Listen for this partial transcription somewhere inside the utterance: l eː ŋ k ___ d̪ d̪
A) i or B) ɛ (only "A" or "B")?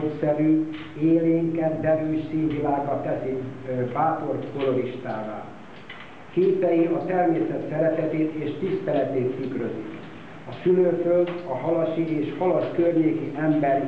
B